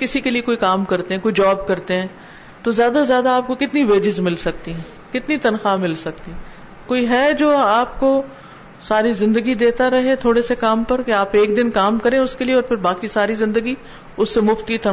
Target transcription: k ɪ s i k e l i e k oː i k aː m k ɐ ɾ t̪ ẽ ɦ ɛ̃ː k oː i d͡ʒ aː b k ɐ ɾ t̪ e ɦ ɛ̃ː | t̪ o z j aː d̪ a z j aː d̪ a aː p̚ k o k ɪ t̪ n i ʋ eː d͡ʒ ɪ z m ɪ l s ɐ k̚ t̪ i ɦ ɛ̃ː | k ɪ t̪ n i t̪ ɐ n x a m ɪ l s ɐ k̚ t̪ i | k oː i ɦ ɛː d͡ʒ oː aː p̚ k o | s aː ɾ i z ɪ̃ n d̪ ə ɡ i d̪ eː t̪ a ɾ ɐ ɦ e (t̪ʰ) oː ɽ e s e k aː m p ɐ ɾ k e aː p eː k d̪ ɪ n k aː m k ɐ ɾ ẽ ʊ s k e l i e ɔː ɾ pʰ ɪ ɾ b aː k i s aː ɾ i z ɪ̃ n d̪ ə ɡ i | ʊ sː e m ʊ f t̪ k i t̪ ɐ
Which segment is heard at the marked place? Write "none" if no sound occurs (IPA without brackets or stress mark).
t̪ʰ